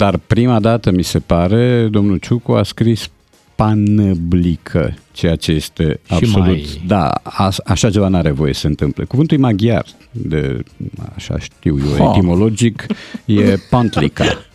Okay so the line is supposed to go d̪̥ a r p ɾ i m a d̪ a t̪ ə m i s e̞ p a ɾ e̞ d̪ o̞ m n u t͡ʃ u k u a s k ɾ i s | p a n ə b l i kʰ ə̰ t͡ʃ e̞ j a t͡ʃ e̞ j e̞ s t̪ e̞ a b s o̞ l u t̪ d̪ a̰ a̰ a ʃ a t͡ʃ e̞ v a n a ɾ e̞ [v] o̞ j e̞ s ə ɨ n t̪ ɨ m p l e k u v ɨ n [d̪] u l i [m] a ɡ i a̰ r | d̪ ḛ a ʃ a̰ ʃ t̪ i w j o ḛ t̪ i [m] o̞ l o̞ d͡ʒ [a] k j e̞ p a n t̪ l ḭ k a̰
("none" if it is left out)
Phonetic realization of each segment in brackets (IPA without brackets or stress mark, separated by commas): v, t̪, m, m, i